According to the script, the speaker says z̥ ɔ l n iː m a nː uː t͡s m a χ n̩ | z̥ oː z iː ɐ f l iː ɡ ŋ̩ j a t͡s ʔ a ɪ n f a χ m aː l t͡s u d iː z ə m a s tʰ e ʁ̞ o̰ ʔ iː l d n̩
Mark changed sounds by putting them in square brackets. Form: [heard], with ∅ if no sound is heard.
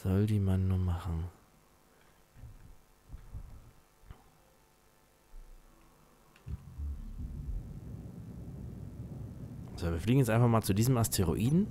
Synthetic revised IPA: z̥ ɔ l [d] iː m a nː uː [∅] m a χ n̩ | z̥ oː [v] iː ɐ f l iː ɡ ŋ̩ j [ɛ] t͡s ʔ a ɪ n f a χ m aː l t͡s u d iː z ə m a s tʰ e ʁ̞ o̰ ʔ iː [∅] d n̩